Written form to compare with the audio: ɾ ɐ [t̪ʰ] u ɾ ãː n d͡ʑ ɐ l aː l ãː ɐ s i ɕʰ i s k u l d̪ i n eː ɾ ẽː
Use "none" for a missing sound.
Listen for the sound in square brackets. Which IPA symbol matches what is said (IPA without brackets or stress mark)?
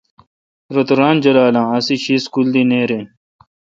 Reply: t̪